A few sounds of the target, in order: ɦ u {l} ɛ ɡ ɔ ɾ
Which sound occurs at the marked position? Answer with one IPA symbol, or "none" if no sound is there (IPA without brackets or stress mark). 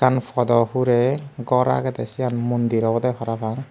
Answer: ɾ